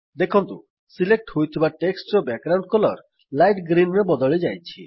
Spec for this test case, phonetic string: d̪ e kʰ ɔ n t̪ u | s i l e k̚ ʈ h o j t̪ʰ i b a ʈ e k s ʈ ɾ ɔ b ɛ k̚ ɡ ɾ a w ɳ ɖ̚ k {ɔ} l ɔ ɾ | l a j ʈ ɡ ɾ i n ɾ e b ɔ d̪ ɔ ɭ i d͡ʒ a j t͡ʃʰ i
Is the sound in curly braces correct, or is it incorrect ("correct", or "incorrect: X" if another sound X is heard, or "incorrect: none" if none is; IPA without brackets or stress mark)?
correct